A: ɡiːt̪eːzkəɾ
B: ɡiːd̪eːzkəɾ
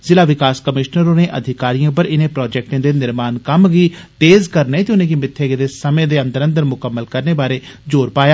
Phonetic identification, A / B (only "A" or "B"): A